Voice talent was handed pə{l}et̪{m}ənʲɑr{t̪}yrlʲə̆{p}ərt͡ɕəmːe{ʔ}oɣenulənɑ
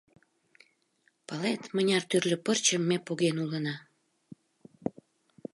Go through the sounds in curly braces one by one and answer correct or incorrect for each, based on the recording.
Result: correct, correct, correct, correct, incorrect: p

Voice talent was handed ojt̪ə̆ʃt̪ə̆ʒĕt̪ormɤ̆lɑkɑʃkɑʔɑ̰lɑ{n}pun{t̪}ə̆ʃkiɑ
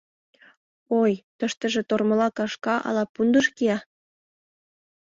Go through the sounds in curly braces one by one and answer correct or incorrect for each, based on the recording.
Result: incorrect: none, incorrect: d̪

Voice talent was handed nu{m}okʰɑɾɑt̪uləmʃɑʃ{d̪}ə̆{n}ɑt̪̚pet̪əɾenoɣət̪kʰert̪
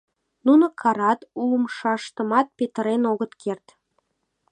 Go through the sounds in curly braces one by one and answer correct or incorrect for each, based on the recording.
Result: incorrect: n, incorrect: t̪, incorrect: m

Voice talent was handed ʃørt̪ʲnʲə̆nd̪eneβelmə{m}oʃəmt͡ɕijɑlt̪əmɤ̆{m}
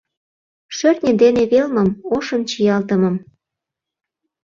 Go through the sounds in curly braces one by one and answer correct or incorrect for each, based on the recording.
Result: correct, correct

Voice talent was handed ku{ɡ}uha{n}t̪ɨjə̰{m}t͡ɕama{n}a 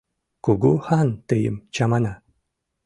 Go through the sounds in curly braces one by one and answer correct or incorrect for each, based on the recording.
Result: correct, correct, correct, correct

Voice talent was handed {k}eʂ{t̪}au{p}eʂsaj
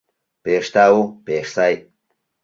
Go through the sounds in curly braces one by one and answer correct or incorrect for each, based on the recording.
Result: incorrect: p, correct, correct

